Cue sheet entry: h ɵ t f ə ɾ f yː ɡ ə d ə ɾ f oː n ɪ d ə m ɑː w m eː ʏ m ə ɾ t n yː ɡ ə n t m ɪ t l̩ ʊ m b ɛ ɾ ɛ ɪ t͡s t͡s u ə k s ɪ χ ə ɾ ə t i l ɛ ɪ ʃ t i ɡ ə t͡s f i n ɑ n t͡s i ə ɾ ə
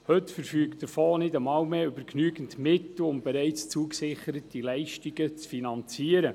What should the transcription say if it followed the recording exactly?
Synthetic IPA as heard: h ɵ t f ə ɾ f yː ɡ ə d ə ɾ f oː n ɪ d ə m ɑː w m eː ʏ b ə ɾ k n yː ɡ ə n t m ɪ t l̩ ʊ m b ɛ ɾ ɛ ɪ t͡s t͡s u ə k s ɪ χ ə ɾ ə t i l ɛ ɪ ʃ t i ɡ ə t͡s f i n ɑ n t͡s i ə ɾ ə